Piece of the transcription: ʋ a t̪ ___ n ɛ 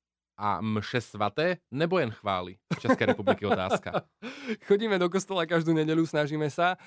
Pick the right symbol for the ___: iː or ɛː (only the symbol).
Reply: ɛː